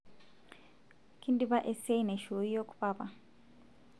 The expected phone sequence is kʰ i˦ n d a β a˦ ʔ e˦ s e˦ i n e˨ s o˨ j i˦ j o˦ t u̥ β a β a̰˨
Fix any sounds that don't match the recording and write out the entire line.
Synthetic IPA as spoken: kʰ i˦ n d i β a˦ ʔ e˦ s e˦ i n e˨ ʃ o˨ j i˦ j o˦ k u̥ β a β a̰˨